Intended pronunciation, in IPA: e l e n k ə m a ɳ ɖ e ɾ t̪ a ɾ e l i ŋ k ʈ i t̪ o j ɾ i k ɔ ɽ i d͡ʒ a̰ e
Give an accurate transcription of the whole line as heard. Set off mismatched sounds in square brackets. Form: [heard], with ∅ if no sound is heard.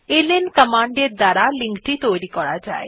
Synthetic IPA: e l e n k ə m a ɳ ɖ e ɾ [d̪] a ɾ [a] l i ŋ k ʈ i t̪ o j ɾ i k ɔ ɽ [a] d͡ʒ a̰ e

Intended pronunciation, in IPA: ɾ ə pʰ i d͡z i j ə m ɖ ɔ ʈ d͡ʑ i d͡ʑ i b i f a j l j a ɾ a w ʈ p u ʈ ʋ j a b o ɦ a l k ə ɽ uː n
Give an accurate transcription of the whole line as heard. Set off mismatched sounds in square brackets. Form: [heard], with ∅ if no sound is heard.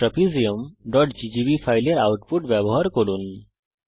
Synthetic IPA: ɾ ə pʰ i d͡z i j ə m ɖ ɔ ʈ d͡ʑ i d͡ʑ i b i f a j l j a ɾ a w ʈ p u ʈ ʋ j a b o ɦ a [ɾ] k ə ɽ uː n

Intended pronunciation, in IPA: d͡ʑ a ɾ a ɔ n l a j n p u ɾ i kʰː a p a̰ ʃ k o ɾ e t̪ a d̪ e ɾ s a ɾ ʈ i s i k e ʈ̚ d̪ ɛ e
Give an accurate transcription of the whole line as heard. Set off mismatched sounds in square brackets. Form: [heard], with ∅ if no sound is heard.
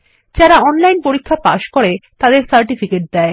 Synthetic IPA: d͡ʑ a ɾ a ɔ n l a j n p [o] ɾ i kʰː a p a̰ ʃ k o ɾ e t̪ a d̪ e ɾ s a ɾ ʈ i [f] i k e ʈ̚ d̪ ɛ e

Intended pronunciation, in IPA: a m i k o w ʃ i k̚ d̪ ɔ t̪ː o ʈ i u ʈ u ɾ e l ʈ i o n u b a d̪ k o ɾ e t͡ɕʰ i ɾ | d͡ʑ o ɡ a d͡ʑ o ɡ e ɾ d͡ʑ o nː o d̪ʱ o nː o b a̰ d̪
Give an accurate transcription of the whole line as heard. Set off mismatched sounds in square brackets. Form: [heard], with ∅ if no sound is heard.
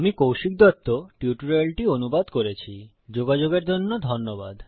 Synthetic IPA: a m i k o w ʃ i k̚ d̪ ɔ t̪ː o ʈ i u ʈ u ɾ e l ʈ i o n u b a d̪ k o ɾ e t͡ɕʰ i [∅] | d͡ʑ o ɡ a d͡ʑ o ɡ e ɾ d͡ʑ o nː o d̪ʱ o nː o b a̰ d̪

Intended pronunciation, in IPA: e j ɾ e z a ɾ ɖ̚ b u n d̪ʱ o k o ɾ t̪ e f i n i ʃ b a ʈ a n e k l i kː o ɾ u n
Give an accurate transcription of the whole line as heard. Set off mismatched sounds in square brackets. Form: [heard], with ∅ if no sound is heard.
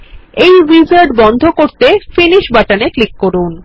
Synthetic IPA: e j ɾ [i] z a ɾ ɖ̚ b [ɔ] n d̪ʱ o k o ɾ t̪ e f i n i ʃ b a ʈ a n e k l i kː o ɾ u n

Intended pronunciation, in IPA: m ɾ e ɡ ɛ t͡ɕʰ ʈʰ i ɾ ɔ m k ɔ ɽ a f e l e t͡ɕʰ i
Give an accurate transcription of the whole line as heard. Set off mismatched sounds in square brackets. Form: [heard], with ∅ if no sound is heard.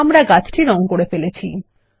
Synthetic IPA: m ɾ [a] ɡ [a] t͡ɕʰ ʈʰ i ɾ ɔ [ŋ] k [o] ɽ [e] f e l e t͡ɕʰ i

